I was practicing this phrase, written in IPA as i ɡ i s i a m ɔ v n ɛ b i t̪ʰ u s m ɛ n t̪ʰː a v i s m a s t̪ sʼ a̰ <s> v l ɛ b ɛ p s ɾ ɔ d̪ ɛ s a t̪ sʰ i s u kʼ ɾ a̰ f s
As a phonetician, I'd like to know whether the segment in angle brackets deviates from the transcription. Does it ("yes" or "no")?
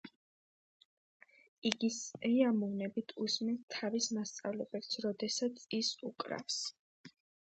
yes